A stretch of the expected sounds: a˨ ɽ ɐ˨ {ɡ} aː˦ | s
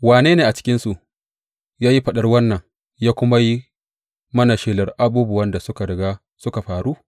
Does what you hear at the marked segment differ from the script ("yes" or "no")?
no